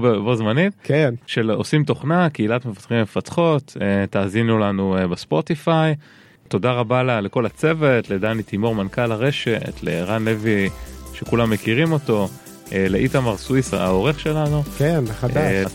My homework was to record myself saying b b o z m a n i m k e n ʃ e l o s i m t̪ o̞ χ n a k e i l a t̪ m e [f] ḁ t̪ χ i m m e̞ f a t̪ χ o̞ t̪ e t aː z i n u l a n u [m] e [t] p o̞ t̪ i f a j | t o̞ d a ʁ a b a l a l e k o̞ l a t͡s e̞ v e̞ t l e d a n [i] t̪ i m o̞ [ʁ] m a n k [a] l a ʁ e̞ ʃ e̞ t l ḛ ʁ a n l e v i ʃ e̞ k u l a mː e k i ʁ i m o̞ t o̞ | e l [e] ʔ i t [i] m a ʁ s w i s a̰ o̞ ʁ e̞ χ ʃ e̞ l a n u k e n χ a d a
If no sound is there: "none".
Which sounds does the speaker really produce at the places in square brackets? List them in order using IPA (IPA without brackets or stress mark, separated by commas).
f, b, s, i, ʁ, a, e, a